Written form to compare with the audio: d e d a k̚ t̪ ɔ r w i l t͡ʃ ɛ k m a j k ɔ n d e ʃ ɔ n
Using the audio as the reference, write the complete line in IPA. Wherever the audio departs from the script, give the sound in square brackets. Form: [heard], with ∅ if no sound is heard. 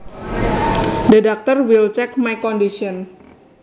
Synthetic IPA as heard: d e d a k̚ t̪ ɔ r w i l t͡ʃ ɛ k m a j k ɔ n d [i] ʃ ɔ n